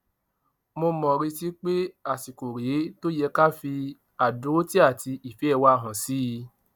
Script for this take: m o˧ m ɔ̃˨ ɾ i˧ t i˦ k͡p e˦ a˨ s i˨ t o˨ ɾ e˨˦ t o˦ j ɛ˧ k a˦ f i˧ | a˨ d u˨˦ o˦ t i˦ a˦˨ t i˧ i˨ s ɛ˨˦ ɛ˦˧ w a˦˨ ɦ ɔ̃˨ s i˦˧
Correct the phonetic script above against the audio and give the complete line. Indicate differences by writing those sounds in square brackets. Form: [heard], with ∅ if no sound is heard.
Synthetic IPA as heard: m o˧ m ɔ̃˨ ɾ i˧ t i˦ k͡p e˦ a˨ s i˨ [k] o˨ ɾ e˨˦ t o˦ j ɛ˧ k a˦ f i˧ | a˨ d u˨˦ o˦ t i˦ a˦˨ t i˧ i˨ [f] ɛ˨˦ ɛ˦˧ w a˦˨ ɦ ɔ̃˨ s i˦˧